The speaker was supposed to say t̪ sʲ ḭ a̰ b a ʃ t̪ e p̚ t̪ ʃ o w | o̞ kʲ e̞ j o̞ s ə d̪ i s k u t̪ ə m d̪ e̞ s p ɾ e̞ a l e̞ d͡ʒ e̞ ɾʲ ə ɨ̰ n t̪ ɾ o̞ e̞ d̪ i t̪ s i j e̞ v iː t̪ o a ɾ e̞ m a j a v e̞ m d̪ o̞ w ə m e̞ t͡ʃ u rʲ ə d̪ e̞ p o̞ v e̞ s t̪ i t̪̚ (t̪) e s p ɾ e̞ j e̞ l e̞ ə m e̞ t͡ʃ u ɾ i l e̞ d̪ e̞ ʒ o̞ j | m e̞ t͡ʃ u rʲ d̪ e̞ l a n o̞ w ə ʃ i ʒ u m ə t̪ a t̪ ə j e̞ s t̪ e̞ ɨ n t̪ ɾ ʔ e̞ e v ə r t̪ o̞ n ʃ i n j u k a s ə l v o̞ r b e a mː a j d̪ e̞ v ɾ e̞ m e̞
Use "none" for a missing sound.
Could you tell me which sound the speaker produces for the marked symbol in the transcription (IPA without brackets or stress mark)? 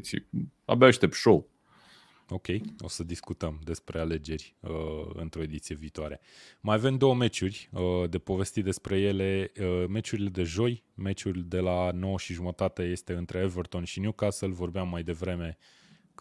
d̪